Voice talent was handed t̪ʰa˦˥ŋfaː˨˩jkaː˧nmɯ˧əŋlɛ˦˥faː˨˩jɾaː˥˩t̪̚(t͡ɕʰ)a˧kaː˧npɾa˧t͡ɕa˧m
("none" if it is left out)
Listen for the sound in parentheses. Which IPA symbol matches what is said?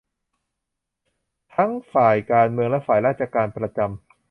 t͡ɕ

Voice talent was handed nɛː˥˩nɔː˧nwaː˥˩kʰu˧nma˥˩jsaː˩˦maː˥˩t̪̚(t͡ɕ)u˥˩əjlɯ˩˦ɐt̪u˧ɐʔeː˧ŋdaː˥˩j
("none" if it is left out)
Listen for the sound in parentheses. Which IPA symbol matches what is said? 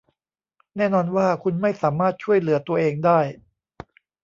t͡ɕʰ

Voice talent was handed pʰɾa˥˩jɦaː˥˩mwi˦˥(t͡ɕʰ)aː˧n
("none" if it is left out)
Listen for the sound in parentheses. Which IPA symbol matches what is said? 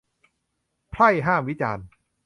t͡ɕ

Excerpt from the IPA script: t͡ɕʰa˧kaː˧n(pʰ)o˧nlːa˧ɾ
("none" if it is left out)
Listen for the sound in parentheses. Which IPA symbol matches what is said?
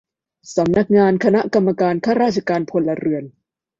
pʰ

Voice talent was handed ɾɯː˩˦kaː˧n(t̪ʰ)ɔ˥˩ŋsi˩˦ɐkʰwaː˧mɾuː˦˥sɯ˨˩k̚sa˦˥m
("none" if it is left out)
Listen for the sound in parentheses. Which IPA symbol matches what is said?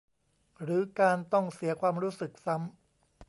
t̪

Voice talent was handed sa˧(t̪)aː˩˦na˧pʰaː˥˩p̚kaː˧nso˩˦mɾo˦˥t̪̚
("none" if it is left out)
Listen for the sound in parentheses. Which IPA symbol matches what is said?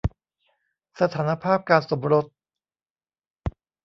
t̪ʰ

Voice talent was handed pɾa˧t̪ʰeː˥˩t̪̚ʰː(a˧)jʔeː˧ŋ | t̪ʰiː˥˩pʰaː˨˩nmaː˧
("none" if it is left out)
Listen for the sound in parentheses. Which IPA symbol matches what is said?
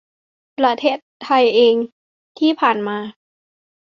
a˧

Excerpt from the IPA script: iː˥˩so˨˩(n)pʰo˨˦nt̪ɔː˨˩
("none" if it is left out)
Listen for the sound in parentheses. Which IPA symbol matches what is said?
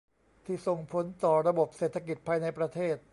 ŋ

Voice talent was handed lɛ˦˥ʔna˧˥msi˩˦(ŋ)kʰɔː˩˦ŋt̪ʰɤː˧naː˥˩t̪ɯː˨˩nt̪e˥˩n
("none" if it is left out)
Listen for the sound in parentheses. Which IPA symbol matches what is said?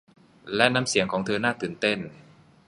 ŋ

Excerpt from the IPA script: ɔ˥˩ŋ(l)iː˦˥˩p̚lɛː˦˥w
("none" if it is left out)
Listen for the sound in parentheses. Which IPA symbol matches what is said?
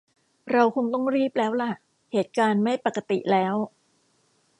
ɾ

